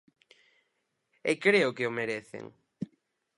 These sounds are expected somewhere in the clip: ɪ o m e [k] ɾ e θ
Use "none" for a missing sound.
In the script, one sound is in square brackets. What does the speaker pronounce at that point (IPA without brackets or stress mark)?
none